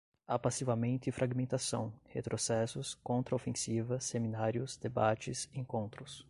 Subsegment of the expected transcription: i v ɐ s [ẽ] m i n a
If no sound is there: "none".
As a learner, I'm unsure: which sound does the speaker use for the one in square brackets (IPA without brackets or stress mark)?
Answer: e